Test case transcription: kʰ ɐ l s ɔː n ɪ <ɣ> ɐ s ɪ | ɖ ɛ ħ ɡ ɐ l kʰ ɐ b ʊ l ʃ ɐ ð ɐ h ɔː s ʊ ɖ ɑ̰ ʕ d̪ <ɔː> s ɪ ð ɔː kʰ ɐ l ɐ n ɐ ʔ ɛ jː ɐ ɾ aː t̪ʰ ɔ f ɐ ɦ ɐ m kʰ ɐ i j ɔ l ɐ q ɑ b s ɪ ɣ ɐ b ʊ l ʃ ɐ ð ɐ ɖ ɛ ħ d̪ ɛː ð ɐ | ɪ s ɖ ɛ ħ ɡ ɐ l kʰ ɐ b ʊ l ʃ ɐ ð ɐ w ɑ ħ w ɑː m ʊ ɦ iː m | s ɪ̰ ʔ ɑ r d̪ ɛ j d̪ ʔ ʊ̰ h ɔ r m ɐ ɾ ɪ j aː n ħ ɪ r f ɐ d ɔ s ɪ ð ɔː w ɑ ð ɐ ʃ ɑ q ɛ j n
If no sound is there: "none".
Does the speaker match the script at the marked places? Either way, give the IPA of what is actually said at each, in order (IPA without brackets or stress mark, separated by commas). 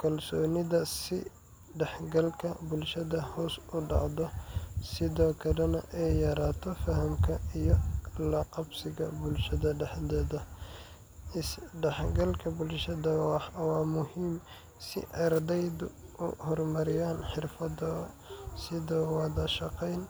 ð, ɔ